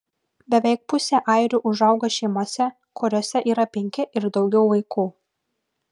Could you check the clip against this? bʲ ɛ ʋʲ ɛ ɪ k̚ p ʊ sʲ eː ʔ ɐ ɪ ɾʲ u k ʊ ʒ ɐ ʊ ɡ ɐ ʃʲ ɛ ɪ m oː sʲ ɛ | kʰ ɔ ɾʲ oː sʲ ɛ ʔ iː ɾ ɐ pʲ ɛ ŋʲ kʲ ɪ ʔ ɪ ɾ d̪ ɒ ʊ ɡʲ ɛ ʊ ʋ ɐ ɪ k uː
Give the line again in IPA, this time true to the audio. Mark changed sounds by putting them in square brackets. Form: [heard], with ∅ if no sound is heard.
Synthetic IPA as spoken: bʲ ɛ ʋʲ ɛ ɪ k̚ p ʊ sʲ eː ʔ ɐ ɪ ɾʲ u [ʔ] ʊ ʒ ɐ ʊ ɡ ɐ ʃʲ ɛ ɪ m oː sʲ ɛ | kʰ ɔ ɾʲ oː sʲ ɛ ʔ iː ɾ ɐ pʲ ɛ ŋʲ kʲ ɪ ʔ ɪ ɾ d̪ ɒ ʊ ɡʲ ɛ ʊ ʋ ɐ ɪ k uː